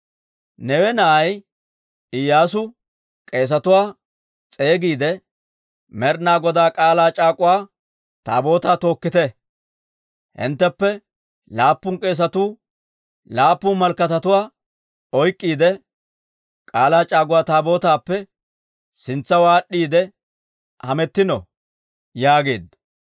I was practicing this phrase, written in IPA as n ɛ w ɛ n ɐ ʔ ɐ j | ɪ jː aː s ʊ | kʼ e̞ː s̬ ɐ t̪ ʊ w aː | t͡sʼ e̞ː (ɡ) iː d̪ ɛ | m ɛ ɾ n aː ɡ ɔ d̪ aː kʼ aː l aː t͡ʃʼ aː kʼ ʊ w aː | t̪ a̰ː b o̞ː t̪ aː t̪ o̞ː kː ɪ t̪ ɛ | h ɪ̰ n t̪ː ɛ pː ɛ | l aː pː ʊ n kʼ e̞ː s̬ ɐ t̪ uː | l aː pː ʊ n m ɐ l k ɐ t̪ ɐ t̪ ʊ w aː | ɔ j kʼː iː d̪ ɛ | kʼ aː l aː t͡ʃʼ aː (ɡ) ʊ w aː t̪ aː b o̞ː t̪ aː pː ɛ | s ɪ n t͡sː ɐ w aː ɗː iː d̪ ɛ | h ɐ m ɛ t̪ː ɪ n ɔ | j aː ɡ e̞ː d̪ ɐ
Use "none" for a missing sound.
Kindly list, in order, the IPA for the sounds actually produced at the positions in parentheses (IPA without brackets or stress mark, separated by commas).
ɡ, ɡ